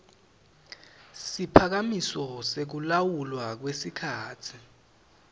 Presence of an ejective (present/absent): absent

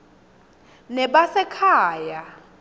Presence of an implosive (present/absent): present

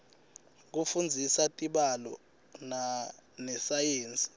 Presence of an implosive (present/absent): present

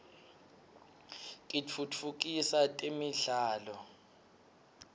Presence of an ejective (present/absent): present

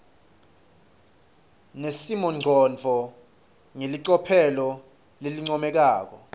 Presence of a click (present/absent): present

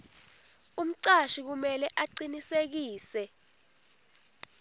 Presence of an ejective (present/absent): absent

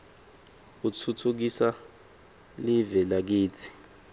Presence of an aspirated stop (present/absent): present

